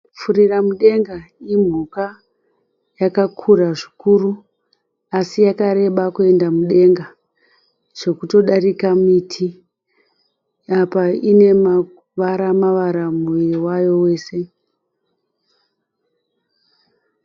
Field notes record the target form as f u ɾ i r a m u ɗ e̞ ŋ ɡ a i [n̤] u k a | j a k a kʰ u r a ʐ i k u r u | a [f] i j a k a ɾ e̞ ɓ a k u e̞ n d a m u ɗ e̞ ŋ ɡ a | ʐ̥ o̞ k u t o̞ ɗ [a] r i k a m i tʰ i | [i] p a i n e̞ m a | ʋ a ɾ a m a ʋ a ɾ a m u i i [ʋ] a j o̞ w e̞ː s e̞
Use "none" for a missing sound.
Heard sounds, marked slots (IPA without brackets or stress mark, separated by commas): m̤, s, a, a, w